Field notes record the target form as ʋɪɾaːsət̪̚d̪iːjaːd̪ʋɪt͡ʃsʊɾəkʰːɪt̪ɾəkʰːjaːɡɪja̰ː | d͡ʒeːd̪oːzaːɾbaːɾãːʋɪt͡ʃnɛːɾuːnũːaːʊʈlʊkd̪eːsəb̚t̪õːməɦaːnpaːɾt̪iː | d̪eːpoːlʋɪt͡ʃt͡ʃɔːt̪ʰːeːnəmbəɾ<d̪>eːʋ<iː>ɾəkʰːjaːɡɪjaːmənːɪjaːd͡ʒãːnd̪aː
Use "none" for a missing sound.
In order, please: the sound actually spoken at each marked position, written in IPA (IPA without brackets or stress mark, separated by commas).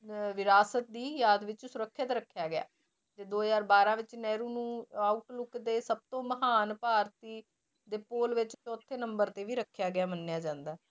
t̪, iː